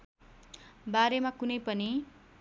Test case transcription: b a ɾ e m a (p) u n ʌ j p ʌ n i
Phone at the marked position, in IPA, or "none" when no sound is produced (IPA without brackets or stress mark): k